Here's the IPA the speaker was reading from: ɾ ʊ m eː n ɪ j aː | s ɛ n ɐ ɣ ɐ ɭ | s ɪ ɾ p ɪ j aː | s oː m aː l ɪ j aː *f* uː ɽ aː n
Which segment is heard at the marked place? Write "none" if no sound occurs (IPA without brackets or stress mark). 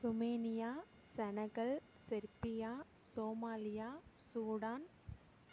s